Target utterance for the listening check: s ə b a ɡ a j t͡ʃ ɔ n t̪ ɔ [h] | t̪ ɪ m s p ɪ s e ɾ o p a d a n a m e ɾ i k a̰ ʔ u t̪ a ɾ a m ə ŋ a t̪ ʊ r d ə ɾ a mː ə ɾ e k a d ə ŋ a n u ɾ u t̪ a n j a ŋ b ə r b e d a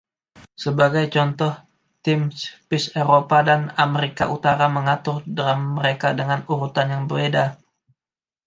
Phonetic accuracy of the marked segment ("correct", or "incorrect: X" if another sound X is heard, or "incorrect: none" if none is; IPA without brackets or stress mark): correct